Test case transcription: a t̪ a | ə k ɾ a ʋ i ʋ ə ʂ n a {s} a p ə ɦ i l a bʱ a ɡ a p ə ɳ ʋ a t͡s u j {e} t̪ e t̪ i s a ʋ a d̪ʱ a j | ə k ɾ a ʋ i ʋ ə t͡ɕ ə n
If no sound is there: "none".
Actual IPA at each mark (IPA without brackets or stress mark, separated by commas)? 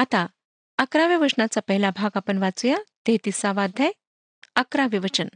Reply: t͡s, a